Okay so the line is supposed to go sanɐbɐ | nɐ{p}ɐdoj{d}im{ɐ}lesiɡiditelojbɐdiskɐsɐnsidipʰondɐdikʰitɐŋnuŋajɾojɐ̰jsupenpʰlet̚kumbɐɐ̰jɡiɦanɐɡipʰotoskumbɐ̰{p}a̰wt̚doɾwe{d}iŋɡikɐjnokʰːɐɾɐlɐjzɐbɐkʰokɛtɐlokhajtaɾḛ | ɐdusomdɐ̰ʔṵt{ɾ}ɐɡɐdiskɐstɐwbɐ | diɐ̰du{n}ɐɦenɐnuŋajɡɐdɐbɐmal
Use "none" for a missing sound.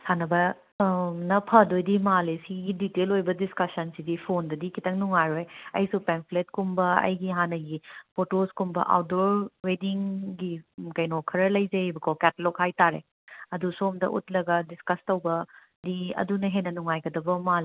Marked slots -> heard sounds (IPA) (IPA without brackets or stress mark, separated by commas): pʰ, d, a, ʔ, d, l, n